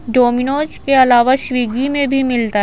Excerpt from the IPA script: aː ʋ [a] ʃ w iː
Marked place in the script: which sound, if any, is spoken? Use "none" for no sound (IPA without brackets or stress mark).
a